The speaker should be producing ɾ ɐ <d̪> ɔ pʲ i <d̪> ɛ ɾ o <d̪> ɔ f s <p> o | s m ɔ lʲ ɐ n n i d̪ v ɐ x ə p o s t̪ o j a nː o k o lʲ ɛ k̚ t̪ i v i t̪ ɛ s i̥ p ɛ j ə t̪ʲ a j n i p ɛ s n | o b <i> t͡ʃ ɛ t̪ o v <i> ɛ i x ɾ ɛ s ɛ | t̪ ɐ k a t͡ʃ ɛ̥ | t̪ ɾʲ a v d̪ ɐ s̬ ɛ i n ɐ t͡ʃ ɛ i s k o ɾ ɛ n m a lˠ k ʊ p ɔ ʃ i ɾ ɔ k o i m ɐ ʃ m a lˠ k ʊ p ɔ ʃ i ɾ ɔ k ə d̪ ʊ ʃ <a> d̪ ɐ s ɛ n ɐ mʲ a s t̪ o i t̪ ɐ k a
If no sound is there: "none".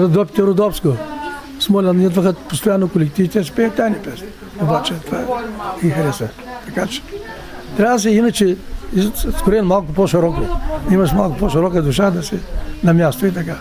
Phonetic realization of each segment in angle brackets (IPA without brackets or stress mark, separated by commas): d̪, t̪, d̪, k, a, a, a